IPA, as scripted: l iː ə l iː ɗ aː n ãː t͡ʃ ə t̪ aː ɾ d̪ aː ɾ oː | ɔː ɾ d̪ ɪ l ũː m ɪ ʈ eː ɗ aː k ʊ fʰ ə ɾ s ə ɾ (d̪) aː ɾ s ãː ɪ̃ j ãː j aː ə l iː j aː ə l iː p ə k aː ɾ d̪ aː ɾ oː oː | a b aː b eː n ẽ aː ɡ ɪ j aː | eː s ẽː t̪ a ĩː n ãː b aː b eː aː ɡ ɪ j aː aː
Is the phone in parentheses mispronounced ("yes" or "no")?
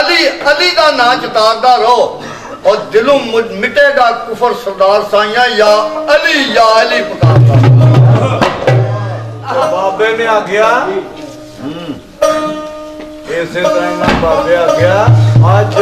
no